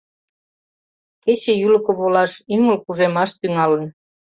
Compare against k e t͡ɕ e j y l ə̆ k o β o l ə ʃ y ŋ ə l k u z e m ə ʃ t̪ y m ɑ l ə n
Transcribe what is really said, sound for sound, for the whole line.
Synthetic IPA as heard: k e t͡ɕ e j y l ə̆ k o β o l ɑ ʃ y ŋ ə l k u ʒ e m ɑ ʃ t̪ y ŋ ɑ l ə n